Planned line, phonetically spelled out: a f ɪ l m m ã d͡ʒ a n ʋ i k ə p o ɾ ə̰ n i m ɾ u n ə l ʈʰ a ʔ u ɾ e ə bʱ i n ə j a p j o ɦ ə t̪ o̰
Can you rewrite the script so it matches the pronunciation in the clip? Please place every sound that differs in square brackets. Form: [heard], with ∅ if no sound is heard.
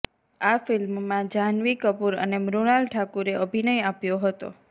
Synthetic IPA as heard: a f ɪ l m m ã d͡ʒ a n ʋ i k ə p [u] ɾ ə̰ n [e] m ɾ u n [a] l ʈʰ a [k] u ɾ e ə bʱ i n ə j a p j o ɦ ə t̪ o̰